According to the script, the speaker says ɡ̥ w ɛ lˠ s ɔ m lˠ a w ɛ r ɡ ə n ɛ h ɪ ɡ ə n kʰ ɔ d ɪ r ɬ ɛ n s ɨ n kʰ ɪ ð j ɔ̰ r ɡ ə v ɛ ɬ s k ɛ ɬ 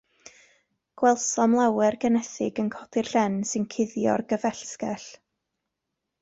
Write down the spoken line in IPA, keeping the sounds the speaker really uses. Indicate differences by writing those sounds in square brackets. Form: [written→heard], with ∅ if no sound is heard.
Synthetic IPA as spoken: ɡ̥ w ɛ lˠ s ɔ m lˠ a w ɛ r ɡ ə n ɛ [h→θ] ɪ ɡ ə n kʰ ɔ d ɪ r ɬ ɛ n s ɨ n kʰ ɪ ð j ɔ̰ r ɡ ə v ɛ ɬ s k ɛ ɬ